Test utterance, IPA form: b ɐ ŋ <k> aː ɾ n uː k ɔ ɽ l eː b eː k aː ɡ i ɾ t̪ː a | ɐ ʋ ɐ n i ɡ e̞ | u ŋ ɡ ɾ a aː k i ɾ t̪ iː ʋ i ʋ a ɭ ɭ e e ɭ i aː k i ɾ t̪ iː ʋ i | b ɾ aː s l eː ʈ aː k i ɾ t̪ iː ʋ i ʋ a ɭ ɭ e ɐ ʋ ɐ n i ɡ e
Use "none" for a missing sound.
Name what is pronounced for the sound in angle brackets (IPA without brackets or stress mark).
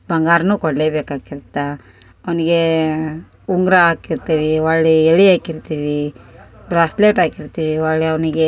ɡ